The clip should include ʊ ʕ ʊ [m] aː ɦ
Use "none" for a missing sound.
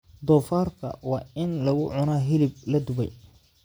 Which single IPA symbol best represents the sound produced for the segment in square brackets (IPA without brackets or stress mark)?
n